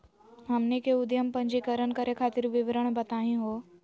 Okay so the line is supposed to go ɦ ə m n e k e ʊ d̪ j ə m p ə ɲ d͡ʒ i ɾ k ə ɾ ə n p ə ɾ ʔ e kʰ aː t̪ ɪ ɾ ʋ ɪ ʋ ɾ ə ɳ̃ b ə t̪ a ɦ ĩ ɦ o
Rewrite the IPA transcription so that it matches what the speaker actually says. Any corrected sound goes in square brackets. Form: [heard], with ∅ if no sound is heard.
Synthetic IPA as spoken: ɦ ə m n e k e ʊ d̪ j ə m p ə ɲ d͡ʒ i [∅] k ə ɾ ə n [k] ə ɾ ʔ e kʰ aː t̪ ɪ ɾ ʋ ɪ ʋ ɾ ə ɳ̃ b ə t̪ a ɦ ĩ ɦ o